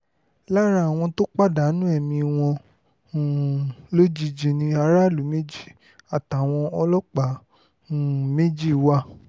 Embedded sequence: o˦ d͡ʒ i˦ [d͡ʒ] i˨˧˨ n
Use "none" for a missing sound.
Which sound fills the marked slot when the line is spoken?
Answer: d͡ʒ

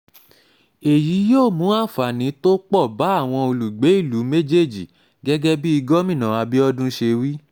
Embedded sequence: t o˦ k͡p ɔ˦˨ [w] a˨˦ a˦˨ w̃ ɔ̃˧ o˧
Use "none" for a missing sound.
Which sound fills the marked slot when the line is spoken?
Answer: b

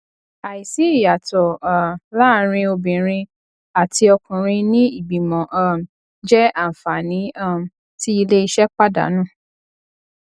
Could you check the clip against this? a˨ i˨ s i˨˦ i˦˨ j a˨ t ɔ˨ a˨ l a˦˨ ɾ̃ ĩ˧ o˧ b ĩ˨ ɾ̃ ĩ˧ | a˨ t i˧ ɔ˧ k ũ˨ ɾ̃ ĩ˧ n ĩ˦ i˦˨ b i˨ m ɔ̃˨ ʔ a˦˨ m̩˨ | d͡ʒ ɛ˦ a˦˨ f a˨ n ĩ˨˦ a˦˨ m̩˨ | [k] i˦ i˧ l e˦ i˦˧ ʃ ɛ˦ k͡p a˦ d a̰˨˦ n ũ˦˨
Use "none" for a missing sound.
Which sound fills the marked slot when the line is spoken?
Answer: t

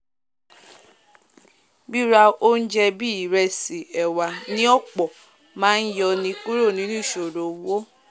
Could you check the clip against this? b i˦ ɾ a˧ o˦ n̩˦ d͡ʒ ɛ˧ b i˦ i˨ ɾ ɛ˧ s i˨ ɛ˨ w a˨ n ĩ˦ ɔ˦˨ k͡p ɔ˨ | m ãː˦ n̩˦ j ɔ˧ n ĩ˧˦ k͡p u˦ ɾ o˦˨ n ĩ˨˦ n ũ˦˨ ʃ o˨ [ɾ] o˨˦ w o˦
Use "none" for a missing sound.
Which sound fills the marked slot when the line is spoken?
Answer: ɾ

